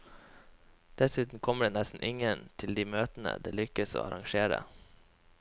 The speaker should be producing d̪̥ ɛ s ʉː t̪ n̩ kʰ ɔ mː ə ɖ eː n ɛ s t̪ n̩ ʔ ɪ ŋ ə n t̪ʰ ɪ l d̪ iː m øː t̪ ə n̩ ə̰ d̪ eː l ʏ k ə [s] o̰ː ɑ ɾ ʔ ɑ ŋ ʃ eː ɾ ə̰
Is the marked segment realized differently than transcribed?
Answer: no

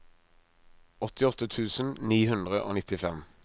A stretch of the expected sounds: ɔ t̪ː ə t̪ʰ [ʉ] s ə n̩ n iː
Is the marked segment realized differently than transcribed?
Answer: yes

